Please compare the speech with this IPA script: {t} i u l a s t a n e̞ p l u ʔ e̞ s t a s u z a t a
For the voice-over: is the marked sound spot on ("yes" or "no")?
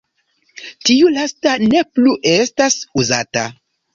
yes